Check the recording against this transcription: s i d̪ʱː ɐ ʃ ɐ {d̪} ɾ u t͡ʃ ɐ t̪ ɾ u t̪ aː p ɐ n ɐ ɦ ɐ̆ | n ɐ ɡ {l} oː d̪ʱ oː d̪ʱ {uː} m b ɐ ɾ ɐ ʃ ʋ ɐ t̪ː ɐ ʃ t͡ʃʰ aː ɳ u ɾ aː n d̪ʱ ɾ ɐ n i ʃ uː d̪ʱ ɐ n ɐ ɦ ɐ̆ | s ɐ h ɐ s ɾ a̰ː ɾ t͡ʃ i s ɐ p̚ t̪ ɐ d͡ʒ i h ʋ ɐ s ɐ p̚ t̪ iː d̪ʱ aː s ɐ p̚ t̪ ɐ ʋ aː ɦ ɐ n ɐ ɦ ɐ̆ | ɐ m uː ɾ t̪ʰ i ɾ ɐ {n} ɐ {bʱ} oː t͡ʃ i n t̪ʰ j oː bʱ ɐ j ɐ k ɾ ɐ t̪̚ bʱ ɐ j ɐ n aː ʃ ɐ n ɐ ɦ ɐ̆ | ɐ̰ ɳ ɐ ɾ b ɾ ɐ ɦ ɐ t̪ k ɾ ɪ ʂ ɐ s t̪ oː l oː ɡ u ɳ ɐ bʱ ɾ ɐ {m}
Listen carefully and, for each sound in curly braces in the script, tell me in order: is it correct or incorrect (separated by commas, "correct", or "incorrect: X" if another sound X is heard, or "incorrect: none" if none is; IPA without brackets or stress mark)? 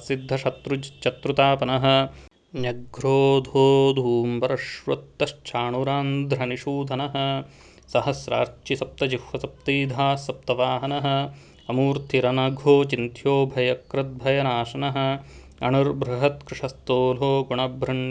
incorrect: t̪, incorrect: ɾ, correct, correct, incorrect: ɡʱ, incorrect: ɳ